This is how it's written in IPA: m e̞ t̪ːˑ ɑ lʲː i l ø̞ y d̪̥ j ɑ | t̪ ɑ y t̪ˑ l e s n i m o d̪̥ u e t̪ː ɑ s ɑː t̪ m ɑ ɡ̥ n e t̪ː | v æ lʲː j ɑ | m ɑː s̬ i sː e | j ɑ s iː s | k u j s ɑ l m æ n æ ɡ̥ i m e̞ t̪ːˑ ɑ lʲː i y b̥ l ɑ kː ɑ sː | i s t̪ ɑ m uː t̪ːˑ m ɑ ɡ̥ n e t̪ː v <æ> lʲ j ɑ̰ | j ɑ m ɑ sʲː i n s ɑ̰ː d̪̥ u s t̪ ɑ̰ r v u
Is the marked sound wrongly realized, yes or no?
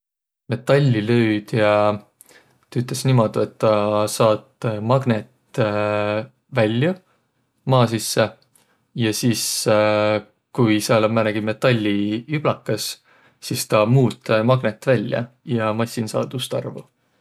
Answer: no